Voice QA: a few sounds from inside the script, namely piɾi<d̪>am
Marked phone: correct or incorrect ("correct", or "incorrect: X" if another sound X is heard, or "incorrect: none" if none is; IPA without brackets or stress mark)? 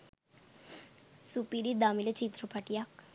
correct